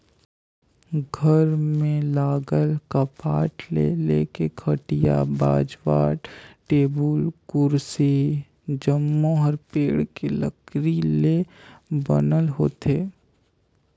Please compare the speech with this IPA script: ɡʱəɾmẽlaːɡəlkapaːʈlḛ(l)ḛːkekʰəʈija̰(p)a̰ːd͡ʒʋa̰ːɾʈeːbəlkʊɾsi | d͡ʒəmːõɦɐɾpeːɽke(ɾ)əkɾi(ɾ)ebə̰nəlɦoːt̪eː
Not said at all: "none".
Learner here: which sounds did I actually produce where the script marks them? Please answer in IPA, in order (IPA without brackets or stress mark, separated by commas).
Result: l, b, l, l